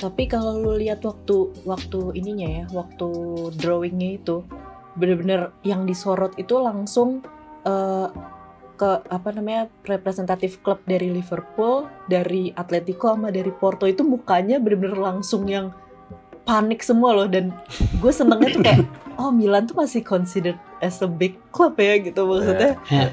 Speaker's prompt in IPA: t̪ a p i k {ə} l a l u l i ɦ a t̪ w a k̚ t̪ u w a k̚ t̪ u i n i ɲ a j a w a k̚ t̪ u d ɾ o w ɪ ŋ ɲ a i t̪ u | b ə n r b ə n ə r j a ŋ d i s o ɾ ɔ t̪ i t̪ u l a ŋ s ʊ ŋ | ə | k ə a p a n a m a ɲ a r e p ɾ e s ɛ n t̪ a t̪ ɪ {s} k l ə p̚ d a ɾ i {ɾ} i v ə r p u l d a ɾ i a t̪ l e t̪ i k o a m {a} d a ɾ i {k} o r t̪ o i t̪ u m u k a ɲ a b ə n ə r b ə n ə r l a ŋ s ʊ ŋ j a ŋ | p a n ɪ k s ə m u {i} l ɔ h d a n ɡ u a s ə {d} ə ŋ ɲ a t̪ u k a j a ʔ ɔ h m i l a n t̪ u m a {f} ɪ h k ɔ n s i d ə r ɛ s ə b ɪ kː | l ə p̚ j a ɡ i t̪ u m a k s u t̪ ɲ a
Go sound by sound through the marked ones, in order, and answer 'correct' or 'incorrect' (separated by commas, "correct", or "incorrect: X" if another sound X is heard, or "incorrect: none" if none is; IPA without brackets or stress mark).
incorrect: a, incorrect: f, incorrect: l, correct, incorrect: p, incorrect: a, incorrect: n, incorrect: s